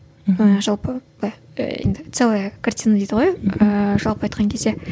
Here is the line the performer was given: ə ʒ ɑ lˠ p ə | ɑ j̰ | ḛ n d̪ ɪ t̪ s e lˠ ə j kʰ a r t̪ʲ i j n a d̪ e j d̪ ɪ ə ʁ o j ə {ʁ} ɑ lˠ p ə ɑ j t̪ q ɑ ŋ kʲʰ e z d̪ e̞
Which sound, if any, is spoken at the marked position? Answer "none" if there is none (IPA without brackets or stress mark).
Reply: ʒ